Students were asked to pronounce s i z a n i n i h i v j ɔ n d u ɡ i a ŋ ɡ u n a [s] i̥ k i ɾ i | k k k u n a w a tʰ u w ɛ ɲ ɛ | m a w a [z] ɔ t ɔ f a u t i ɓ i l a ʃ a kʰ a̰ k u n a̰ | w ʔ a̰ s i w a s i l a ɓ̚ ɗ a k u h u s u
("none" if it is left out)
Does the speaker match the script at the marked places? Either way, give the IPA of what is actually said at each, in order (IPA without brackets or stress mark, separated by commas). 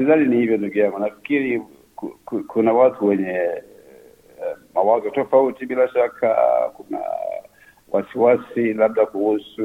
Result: f, z